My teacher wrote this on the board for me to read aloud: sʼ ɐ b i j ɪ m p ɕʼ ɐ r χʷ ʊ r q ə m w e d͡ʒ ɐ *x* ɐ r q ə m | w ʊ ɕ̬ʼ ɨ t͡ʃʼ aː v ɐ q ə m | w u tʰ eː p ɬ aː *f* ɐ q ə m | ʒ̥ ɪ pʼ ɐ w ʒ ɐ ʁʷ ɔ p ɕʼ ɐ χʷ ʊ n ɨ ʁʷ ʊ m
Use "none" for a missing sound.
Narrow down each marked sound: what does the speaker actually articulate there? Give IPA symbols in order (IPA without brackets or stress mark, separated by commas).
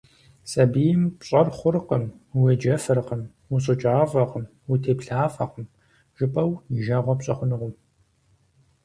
f, f